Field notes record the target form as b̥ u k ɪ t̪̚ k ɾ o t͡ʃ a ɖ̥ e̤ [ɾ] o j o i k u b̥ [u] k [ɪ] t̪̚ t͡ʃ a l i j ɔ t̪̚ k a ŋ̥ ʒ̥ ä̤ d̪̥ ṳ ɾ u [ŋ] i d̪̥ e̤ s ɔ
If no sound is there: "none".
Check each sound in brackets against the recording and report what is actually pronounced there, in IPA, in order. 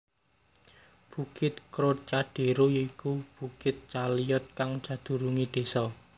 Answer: ɾ, u, ɪ, ŋ

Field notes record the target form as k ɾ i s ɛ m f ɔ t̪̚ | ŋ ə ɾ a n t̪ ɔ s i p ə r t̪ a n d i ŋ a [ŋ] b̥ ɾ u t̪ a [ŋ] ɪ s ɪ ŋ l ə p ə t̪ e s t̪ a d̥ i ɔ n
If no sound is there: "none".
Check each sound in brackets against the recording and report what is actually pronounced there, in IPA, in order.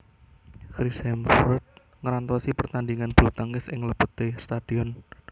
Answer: n, ŋ

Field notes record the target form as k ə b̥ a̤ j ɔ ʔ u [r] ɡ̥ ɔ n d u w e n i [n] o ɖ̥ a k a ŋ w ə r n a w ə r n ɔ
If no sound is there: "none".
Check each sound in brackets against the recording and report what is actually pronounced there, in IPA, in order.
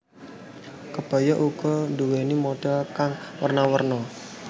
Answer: none, m

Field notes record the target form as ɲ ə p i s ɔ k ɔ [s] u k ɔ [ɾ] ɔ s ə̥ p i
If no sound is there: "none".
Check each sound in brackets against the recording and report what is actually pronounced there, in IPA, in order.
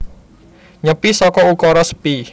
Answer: none, ɾ

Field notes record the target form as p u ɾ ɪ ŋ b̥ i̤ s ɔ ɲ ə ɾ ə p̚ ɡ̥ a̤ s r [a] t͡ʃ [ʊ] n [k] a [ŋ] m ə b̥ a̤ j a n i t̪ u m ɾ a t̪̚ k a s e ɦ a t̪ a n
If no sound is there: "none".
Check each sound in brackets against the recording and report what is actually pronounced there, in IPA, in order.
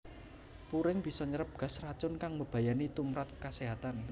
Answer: a, ʊ, k, ŋ

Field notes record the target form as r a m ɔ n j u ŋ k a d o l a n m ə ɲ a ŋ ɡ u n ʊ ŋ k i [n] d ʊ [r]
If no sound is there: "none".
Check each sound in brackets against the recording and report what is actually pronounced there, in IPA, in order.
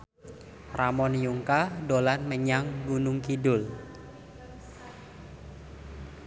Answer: none, l

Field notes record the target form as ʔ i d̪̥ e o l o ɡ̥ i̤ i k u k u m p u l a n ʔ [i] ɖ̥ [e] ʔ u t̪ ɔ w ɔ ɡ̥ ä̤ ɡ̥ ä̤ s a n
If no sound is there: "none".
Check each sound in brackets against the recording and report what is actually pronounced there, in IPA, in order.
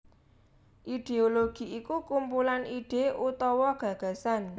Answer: i, e

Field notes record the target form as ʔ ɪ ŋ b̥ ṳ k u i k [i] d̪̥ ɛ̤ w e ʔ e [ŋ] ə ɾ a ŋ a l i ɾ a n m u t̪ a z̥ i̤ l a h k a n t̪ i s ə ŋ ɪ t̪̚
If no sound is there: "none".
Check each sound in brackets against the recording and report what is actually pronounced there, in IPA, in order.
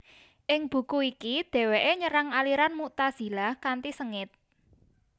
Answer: i, ɲ

